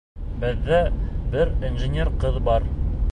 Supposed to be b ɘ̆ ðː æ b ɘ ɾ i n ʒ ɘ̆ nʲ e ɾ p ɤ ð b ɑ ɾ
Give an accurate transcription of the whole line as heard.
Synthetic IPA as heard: b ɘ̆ ðː æ b ɘ ɾ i n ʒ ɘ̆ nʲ e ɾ q ɤ ð b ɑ ɾ